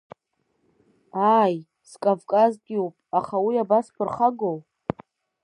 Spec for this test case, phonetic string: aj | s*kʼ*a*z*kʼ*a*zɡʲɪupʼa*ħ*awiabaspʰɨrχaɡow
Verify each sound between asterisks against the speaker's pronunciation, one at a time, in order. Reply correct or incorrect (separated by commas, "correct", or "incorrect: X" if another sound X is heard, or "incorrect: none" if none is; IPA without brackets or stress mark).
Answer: correct, incorrect: v, correct, incorrect: χ